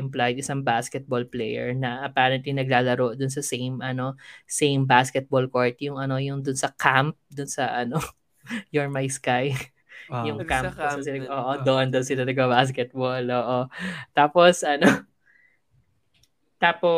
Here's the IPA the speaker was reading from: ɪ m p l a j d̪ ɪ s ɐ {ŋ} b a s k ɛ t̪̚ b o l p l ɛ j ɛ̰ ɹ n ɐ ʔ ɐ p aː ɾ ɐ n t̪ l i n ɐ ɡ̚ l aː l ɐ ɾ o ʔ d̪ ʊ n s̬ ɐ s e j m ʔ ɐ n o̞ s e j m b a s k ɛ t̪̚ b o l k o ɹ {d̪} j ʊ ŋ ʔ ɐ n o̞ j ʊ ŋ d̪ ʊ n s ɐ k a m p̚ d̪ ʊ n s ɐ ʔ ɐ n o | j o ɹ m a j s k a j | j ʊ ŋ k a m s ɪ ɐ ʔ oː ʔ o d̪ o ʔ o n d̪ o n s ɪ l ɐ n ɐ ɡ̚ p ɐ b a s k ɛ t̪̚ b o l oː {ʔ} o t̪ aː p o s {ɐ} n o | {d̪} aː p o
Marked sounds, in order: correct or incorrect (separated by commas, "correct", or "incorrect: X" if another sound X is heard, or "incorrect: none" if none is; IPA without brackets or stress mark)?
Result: correct, incorrect: t̪, correct, correct, incorrect: t̪